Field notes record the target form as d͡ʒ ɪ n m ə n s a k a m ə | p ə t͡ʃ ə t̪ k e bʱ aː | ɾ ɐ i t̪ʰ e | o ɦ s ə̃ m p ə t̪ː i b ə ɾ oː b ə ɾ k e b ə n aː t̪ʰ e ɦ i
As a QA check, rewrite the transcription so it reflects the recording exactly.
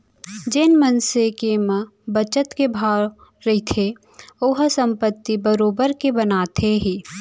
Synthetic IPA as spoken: d͡ʒ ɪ n m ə n s e k e m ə | b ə t͡ʃ ə t̪ k e bʱ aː | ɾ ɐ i t̪ʰ e | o ɦ s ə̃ m p ə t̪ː i b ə ɾ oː b ə ɾ k e b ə n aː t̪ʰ e ɦ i